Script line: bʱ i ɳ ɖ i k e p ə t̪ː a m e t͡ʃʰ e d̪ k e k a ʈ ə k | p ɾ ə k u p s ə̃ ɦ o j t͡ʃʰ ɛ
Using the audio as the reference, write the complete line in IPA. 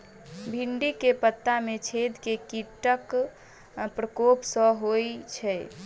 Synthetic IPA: bʱ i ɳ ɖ i k e p ə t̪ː a m e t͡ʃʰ e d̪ k e k i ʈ ə k | p ɾ ə k o p s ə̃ ɦ o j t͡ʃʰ ɛ